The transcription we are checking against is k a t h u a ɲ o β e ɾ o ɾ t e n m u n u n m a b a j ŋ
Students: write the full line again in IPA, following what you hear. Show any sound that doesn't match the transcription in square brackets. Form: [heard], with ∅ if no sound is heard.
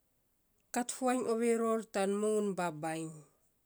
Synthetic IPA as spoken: k a t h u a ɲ o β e ɾ o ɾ t [a] n m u [ŋ] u n [b] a b a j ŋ